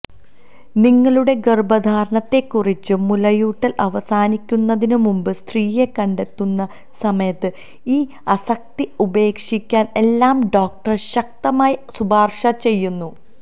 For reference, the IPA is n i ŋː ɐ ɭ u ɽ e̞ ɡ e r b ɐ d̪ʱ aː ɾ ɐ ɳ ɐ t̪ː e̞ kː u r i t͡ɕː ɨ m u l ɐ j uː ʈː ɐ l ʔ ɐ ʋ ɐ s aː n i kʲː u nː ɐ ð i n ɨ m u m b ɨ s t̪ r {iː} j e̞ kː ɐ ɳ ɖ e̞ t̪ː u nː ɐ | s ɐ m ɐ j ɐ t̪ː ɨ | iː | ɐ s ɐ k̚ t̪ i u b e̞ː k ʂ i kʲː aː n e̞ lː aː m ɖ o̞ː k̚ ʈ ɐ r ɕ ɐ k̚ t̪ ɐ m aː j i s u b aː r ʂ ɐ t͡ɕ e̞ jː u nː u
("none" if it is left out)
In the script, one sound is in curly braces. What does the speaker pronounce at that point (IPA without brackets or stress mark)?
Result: iː